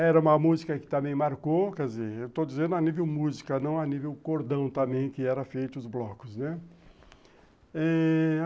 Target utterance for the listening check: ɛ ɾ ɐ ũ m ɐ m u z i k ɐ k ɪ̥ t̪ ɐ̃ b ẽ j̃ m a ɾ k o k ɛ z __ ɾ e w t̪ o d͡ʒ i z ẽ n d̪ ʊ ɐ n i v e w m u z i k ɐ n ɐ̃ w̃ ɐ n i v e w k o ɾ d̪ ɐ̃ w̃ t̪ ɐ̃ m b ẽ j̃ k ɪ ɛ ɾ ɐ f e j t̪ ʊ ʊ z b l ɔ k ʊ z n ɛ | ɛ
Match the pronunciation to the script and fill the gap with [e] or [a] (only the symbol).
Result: e